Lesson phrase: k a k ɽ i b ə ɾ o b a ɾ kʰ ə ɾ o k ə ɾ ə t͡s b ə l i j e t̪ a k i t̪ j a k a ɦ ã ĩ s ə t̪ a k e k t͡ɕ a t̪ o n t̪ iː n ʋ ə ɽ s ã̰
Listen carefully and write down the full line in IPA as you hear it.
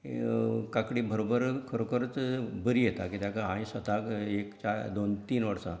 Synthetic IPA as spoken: k a k ɽ i b ə ɾ o b ə ɾ kʰ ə ɾ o k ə ɾ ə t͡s b ə ɾ i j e t̪ a k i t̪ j a k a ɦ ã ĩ s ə t̪ a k e k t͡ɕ a d̪ o n t̪ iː n ʋ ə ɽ s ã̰